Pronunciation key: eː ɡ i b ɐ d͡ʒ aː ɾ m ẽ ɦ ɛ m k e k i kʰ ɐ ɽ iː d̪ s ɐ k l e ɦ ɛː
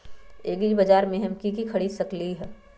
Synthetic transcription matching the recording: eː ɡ i b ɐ d͡ʒ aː ɾ m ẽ ɦ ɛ m k i k i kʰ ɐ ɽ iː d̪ s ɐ k l i ɦ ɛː